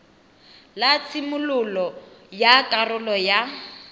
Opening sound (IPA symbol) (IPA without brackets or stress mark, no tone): l